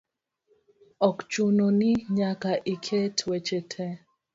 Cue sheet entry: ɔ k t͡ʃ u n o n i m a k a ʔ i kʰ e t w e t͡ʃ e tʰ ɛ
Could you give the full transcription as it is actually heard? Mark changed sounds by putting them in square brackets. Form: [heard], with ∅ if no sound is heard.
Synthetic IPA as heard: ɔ k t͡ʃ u n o n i [ɲ] a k a ʔ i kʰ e t w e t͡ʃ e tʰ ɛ